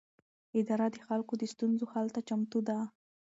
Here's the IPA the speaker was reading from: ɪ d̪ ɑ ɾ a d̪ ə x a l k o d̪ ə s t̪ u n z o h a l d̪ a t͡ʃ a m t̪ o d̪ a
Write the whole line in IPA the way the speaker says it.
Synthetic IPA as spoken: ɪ d̪ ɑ ɾ a d̪ ə x a l k o d̪ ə s t̪ u n z o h a l t̪ a t͡ʃ a m t̪ u d̪ a